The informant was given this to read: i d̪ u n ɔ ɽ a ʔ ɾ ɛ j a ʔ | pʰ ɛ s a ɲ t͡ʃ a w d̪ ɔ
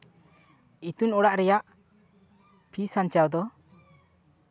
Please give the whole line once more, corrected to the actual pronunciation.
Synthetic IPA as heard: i t̪ u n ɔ ɽ a ʔ ɾ ɛ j a ʔ | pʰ i s a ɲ t͡ʃ a w d̪ ɔ

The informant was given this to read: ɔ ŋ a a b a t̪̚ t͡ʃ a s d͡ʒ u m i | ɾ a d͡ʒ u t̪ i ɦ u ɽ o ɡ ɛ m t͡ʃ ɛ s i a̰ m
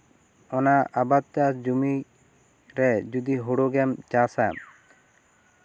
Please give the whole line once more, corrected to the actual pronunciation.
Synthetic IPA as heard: ɔ n a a b a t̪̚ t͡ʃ a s d͡ʒ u m i | ɾ ɛ d͡ʒ u d̪ i ɦ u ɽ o ɡ ɛ m t͡ʃ a s a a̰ m

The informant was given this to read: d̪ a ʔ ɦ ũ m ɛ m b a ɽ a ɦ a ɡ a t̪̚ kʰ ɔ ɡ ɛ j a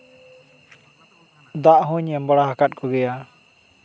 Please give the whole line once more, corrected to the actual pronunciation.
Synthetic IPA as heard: d̪ a ʔ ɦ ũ ɲ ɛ m b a ɽ a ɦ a k a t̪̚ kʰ ɔ ɡ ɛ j a

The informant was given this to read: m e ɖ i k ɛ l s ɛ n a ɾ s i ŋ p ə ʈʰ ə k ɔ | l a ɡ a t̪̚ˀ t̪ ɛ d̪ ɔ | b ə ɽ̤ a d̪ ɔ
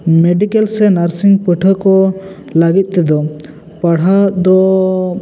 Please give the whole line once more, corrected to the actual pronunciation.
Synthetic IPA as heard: m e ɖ i k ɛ l s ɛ n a ɾ s i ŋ p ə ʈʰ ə k ɔ | l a ɡ i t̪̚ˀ t̪ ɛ d̪ ɔ | p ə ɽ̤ a d̪ ɔ

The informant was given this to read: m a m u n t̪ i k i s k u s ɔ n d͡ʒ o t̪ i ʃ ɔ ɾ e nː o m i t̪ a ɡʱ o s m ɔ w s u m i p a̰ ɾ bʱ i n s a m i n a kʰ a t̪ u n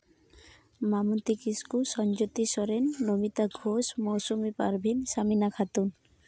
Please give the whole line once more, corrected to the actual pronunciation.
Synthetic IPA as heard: m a m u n t̪ i k i s k u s ɔ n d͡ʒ o t̪ i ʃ ɔ ɾ e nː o m i t̪ a ɡʱ o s m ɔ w s u m i p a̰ ɾ bʱ i n s a m i n a kʰ a t̪ u n

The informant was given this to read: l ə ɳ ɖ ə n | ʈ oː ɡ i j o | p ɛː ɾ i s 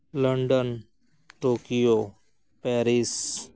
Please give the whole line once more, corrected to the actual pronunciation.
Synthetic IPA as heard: l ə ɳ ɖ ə n | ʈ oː k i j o | p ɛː ɾ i s

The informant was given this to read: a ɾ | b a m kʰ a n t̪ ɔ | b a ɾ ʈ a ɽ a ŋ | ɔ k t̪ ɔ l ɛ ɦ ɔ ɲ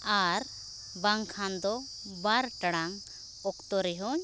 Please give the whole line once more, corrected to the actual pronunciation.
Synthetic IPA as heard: a ɾ | b a ŋ kʰ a n d̪ ɔ | b a ɾ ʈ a ɽ a ŋ | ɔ k t̪ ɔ ɾ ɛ ɦ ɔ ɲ

